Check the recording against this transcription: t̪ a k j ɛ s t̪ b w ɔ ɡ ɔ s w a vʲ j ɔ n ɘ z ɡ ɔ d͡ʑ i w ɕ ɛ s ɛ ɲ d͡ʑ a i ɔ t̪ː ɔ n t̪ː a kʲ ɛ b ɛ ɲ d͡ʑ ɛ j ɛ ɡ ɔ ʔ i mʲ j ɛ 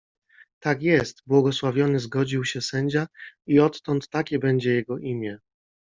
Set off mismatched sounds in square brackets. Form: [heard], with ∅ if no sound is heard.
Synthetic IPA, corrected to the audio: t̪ a k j ɛ s t̪ b w ɔ ɡ ɔ s w a vʲ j ɔ n ɘ z ɡ ɔ d͡ʑ i w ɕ ɛ s ɛ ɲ d͡ʑ a i ɔ t̪ː ɔ n t̪ː a kʲ ɛ b ɛ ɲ d͡ʑ ɛ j ɛ ɡ ɔ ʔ i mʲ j ɛ